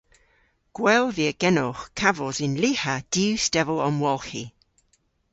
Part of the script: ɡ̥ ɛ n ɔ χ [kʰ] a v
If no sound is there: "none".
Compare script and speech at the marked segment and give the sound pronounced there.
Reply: kʰ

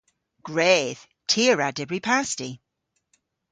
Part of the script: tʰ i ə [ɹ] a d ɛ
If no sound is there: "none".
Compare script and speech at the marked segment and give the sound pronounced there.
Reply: ɹ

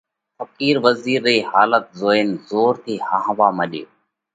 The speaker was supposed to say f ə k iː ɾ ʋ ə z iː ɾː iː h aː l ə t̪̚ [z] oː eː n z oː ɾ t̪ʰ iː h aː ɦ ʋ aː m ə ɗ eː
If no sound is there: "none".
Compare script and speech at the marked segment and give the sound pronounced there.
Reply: z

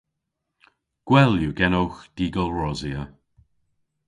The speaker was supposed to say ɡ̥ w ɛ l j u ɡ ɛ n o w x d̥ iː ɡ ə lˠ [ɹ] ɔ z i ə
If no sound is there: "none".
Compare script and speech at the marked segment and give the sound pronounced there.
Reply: ɹ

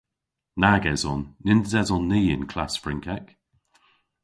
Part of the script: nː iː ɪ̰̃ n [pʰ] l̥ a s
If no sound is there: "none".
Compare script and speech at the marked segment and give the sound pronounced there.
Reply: kʰ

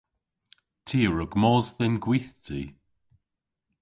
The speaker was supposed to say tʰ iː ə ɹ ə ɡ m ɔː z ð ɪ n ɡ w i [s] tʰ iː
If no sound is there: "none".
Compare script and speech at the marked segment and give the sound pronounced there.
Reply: θ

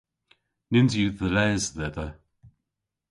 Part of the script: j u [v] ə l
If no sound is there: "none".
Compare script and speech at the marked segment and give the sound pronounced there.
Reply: ð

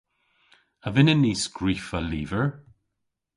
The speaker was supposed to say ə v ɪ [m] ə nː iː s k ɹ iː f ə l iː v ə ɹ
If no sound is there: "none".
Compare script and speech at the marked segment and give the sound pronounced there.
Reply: n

